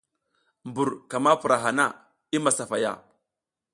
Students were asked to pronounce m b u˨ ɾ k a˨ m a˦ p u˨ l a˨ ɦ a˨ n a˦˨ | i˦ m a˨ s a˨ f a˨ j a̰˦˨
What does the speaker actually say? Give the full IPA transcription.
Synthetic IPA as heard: m b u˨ ɾ k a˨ m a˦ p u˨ ɾ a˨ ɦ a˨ n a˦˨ | i˦ m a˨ s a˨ f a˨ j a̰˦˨